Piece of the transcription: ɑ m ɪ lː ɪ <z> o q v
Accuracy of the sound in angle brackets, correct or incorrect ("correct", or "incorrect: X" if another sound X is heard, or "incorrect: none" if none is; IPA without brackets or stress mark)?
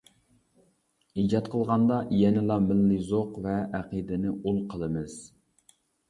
correct